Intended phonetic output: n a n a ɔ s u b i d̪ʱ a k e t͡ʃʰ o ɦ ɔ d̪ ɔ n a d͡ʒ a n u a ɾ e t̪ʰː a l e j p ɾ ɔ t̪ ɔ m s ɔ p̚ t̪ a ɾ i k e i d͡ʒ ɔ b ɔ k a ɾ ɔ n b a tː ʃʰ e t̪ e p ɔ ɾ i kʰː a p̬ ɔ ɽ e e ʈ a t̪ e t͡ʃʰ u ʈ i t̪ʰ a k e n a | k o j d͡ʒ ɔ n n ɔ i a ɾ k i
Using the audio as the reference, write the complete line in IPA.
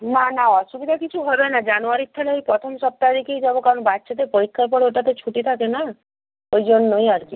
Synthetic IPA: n a n a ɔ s u b i d̪ʱ a k i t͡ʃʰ u ɦ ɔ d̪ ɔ n a d͡ʒ a n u a ɾ i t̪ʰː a l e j p ɾ ɔ t̪ʰ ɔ m s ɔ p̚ t̪ a ɾ i k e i d͡ʒ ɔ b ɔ k a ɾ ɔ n b a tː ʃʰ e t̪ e p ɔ ɾ i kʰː a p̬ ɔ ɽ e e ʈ a t̪ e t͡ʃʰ u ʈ i t̪ʰ a k e n a | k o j d͡ʒ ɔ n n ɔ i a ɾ k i